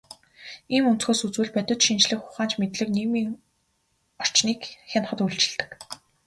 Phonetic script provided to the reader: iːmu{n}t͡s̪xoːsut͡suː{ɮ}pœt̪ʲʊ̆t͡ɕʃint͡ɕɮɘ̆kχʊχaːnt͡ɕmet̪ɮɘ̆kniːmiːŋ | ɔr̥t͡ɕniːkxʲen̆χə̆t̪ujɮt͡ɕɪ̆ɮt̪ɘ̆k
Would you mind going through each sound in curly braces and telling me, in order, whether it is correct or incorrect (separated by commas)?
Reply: correct, correct